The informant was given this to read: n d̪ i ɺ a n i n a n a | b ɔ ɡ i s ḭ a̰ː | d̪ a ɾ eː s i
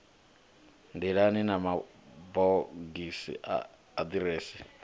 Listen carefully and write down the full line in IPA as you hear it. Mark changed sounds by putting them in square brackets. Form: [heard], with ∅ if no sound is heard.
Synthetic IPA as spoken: n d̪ i ɺ a n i n a [m] a | b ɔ ɡ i s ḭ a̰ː | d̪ [i] ɾ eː s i